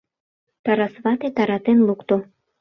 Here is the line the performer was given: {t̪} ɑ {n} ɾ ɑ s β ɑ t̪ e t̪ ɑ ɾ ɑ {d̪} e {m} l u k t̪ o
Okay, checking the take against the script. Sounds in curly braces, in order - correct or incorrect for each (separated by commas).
correct, incorrect, incorrect, incorrect